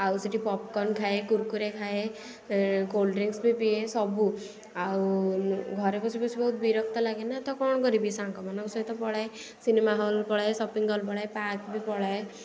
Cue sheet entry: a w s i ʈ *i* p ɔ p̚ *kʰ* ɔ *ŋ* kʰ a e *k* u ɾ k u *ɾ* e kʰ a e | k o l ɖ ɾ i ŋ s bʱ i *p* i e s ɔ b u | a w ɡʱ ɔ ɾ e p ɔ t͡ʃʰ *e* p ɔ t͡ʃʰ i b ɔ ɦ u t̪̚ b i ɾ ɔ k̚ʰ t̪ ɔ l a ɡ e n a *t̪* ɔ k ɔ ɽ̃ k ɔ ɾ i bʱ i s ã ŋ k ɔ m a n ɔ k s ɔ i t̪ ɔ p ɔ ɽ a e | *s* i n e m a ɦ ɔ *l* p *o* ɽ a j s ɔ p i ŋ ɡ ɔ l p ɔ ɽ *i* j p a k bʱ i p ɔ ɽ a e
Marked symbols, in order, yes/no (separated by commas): yes, no, no, yes, yes, yes, no, yes, yes, yes, no, no